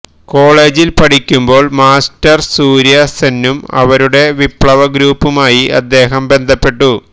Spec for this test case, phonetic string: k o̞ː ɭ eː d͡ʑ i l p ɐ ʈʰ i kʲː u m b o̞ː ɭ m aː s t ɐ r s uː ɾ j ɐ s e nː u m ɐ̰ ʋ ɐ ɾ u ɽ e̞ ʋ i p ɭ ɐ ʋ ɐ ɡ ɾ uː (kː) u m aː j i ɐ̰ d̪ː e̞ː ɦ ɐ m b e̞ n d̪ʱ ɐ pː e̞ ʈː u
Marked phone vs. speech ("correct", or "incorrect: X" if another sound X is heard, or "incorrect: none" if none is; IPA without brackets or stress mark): incorrect: pː